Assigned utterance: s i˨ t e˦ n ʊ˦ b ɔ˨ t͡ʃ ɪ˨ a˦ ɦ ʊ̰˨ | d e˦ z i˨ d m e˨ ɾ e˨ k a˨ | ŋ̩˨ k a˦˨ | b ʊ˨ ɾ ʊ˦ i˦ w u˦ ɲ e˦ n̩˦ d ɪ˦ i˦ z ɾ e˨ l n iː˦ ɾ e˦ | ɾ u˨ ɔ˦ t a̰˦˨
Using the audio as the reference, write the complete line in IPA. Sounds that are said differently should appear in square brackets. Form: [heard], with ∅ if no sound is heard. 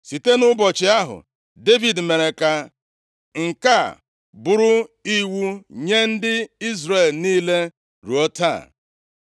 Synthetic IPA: s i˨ t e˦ n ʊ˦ b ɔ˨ t͡ʃ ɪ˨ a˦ ɦ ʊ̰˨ | d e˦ [v] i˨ d m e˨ ɾ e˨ k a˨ | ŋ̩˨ k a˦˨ | b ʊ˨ ɾ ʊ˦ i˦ w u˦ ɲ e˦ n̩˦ d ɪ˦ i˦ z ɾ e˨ l n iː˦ [l] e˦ | ɾ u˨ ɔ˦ t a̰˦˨

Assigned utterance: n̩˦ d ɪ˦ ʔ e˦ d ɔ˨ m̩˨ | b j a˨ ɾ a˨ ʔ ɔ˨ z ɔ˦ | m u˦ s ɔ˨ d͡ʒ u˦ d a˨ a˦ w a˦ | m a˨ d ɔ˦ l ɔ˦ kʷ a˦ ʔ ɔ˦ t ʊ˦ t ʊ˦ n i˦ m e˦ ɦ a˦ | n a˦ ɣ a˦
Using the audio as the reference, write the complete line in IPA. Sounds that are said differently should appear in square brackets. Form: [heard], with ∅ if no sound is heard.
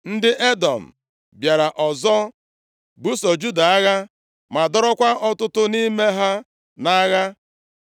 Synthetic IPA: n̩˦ d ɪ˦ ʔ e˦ d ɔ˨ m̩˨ | b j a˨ ɾ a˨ ʔ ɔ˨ z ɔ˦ | [b] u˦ s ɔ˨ d͡ʒ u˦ d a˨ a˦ [ɣ] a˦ | m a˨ d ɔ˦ [ɾ] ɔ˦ kʷ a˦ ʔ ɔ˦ t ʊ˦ t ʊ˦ n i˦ m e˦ ɦ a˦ | n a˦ ɣ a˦

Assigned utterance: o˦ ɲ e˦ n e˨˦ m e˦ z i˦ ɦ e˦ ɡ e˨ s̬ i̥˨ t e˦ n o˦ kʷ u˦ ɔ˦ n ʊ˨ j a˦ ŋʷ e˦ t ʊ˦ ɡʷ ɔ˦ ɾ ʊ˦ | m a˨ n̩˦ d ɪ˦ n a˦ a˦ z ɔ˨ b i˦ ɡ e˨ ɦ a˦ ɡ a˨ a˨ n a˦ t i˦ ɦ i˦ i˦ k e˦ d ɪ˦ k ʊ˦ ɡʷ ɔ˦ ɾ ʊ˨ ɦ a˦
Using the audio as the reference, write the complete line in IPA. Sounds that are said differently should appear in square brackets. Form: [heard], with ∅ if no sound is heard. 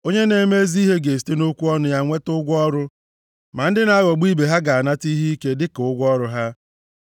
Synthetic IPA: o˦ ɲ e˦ n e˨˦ m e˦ z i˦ ɦ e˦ ɡ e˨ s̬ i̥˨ t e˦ n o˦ kʷ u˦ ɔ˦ n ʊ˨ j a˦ ŋʷ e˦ t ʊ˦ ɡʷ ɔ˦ ɾ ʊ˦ | m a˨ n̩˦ d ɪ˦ n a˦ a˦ [ɣ] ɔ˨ [ɡ͡b] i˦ [b] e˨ ɦ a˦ ɡ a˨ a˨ n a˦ t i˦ ɦ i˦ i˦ k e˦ d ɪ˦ k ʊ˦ ɡʷ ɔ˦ ɾ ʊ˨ ɦ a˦

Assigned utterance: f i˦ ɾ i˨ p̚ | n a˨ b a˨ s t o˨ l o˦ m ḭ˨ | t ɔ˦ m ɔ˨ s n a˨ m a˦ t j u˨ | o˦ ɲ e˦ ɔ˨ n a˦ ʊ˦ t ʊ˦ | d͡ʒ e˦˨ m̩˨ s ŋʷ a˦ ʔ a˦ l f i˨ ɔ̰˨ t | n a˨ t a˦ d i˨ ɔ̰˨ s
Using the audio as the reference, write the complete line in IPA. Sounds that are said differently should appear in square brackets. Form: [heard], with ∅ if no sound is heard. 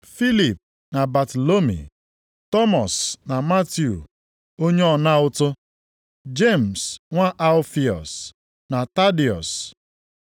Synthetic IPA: f i˦ [l] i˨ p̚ | n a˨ b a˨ [∅] t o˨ l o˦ m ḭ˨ | t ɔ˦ m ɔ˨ s n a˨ m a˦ t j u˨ | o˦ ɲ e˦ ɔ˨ n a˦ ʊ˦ t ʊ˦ | d͡ʒ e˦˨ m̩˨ s ŋʷ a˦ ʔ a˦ l f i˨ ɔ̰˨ [s] | n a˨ t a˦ d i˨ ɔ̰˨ s

